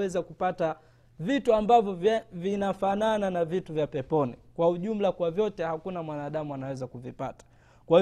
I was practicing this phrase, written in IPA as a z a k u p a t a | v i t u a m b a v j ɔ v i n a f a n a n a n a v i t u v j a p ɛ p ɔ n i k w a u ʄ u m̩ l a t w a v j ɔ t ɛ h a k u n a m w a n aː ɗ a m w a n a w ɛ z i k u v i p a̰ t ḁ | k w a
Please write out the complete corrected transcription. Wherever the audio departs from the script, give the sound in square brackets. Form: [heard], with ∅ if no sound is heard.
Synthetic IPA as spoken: [ɛ] z a k u p a t a | v i t u a m b a v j ɔ v i n a f a n a n a n a v i t u v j a p ɛ p ɔ n i k w a u ʄ u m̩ l a [k] w a v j ɔ t ɛ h a k u n a m w a n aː ɗ a m [u] a n a w ɛ z [a] k u v i p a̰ t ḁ | k w a